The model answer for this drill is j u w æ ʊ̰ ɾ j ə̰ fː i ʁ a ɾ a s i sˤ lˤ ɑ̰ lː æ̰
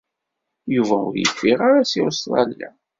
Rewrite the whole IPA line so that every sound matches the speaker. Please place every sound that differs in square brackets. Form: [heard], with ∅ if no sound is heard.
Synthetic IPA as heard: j u [v] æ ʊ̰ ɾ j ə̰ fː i ʁ a ɾ a s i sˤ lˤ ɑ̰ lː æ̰